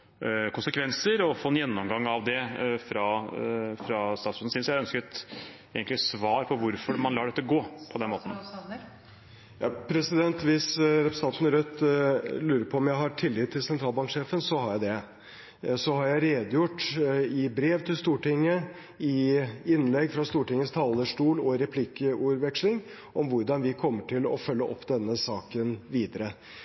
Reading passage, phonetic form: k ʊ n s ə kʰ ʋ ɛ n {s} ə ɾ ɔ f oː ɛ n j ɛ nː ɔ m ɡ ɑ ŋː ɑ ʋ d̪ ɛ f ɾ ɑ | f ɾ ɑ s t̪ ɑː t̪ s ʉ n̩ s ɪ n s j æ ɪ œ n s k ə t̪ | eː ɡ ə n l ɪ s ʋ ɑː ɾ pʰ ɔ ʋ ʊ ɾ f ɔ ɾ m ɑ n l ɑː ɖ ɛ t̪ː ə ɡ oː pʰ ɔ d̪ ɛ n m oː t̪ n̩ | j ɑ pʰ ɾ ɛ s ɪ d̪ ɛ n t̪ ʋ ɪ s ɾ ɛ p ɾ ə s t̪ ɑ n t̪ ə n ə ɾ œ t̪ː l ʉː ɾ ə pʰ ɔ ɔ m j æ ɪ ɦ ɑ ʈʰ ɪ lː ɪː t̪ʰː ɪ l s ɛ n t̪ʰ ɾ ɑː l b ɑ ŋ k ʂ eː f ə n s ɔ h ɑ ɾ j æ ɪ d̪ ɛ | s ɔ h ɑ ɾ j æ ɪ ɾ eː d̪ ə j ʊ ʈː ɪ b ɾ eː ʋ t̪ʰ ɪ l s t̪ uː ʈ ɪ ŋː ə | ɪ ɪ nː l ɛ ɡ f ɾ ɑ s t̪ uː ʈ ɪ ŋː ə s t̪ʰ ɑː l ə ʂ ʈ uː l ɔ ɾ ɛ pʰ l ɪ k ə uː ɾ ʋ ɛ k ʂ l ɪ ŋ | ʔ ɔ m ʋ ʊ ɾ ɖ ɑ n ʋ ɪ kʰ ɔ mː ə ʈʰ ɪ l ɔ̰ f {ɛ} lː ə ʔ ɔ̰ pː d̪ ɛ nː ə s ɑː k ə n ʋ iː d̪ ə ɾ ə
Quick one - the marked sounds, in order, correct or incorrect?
correct, incorrect

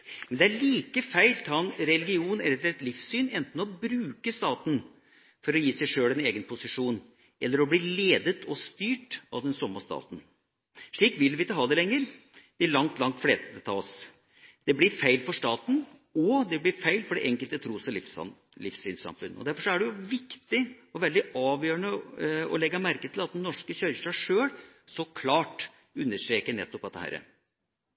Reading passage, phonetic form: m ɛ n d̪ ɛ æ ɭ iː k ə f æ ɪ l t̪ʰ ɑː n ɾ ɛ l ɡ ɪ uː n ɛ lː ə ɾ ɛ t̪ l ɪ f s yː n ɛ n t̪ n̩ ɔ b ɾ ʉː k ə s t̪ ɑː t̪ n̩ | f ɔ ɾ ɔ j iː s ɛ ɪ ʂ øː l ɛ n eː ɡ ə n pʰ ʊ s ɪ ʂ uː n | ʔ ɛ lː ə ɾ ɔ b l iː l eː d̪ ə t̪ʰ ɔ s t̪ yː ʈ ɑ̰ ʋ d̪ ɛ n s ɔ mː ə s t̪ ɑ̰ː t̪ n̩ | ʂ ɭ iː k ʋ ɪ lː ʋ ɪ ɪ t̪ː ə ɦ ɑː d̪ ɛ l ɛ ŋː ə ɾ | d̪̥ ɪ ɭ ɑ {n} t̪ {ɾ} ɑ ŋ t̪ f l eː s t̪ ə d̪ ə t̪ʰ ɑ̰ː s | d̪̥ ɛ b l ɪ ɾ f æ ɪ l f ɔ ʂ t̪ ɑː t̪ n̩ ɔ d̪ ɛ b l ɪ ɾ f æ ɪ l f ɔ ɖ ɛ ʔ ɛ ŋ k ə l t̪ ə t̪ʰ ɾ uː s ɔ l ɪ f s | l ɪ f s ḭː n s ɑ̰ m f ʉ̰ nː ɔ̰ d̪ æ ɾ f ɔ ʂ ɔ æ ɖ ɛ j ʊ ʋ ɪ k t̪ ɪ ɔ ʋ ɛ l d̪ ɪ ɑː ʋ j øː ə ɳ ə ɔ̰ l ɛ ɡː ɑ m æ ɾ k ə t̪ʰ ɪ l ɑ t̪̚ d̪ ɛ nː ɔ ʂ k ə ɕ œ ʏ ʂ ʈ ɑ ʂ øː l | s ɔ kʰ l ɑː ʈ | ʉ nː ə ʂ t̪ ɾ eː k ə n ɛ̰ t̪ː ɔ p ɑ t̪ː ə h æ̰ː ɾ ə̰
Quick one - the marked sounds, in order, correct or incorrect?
incorrect, incorrect

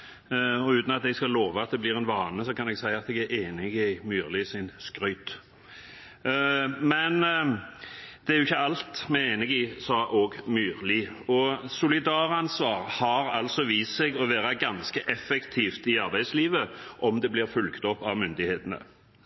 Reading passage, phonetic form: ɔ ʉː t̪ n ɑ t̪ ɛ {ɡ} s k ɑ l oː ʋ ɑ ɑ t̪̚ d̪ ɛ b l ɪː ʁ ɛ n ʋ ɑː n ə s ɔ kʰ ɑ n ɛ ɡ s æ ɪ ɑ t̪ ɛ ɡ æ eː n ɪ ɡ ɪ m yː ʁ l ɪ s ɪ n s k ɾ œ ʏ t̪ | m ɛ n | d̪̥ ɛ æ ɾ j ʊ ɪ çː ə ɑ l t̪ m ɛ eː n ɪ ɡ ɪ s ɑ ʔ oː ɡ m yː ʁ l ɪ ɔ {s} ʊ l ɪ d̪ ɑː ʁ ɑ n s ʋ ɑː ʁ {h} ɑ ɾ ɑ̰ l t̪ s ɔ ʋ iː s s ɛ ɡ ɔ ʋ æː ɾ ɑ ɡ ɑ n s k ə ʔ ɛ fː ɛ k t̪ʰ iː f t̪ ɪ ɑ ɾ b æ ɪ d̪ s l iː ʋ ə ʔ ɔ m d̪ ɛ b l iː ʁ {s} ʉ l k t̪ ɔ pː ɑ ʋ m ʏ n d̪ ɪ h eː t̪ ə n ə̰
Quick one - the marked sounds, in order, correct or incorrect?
correct, correct, correct, incorrect

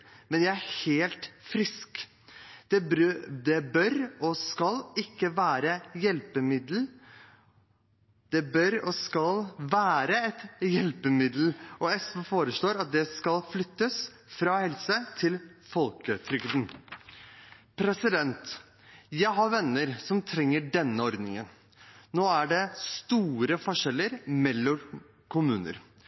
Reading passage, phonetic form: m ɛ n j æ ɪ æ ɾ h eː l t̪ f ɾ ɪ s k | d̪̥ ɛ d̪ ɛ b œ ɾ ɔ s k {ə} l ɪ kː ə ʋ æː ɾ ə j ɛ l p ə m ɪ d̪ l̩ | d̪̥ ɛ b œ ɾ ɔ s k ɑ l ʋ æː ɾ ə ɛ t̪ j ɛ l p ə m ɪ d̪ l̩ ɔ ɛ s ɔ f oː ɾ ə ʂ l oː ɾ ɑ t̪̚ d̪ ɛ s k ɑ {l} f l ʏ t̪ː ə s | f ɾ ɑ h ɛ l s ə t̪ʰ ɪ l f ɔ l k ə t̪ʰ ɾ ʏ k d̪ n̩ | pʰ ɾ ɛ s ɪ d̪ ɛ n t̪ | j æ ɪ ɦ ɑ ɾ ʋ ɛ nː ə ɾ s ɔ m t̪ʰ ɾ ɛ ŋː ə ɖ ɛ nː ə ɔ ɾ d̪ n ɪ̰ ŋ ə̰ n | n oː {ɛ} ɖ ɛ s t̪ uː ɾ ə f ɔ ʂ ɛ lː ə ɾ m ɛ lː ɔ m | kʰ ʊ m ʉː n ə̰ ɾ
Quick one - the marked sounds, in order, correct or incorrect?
incorrect, correct, incorrect

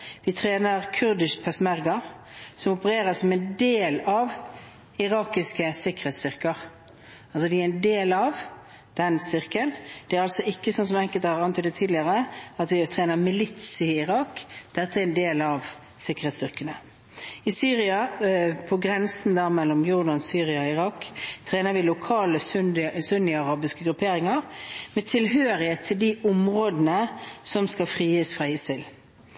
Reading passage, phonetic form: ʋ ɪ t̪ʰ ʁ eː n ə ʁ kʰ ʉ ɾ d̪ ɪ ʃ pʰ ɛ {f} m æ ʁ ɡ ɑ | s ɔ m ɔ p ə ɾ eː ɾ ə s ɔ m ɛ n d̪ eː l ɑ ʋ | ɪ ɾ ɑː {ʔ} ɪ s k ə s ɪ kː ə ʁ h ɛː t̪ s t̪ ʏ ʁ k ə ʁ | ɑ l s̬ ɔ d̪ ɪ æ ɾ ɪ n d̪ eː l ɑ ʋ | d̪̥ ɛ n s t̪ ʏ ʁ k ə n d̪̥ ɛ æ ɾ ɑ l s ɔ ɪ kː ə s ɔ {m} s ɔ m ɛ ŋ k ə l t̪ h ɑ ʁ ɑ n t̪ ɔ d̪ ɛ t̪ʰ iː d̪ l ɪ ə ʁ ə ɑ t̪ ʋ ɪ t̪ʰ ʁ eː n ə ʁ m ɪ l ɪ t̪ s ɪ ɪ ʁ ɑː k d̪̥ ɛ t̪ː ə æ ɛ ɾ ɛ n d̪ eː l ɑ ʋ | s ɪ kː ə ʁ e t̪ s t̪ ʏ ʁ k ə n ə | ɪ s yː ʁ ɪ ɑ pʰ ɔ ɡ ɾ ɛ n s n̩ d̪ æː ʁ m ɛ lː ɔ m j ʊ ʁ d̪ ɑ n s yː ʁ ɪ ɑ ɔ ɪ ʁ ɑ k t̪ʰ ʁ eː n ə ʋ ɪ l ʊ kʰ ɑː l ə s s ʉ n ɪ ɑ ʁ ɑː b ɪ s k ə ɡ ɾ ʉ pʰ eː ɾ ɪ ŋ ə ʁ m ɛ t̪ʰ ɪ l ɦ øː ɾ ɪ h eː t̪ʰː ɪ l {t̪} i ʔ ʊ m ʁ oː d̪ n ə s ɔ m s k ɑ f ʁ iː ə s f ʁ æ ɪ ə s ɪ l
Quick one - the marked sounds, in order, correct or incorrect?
incorrect, incorrect, incorrect, incorrect

